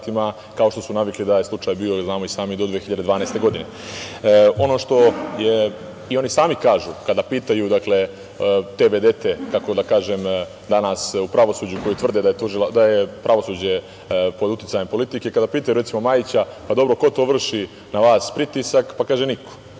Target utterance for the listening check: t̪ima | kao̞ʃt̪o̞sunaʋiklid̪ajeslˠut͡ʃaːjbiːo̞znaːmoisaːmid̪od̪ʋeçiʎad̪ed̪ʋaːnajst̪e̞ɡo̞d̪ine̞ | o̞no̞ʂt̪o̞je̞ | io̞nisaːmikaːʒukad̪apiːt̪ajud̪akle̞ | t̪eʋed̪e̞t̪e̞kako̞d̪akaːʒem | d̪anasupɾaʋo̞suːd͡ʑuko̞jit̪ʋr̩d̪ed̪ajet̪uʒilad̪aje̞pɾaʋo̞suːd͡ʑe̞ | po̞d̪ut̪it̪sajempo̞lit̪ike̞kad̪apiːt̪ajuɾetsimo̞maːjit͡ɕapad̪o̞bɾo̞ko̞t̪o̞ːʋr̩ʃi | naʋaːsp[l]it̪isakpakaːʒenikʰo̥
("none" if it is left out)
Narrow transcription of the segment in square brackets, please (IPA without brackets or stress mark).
ɾ